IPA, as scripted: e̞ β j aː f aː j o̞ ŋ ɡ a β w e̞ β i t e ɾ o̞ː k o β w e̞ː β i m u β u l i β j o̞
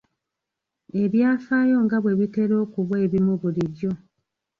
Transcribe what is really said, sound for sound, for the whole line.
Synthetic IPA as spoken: e̞ β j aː f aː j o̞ ŋ ɡ a β w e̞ β i t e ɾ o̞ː k u β w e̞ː β i m u β u l i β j o̞